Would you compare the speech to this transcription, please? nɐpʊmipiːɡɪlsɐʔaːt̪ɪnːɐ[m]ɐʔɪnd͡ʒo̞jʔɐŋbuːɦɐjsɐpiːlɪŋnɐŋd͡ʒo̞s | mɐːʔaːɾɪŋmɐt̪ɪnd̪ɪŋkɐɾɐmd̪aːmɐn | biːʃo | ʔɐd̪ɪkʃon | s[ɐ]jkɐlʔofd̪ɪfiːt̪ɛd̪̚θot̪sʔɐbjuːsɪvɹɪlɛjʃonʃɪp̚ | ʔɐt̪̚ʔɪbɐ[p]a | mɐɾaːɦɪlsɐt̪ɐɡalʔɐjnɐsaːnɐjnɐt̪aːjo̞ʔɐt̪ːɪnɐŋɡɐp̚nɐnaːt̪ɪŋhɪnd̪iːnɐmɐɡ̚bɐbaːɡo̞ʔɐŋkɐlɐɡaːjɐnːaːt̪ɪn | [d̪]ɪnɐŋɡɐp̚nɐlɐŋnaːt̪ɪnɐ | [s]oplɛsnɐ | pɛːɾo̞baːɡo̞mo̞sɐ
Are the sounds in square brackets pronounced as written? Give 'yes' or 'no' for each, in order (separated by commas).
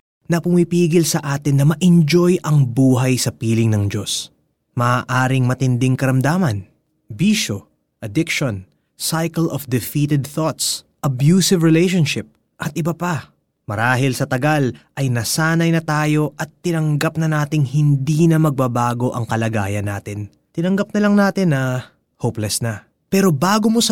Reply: yes, no, yes, no, no